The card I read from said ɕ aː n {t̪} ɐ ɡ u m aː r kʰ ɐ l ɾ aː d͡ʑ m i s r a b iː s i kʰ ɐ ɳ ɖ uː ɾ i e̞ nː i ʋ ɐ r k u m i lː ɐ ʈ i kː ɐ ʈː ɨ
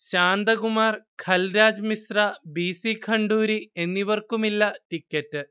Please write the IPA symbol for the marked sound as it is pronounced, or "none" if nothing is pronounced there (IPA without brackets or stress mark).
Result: d̪